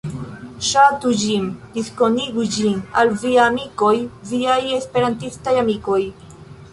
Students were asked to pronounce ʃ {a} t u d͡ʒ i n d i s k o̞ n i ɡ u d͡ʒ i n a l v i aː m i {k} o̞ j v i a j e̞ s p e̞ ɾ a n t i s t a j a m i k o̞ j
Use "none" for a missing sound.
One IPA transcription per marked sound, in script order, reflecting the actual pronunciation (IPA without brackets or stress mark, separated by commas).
a, k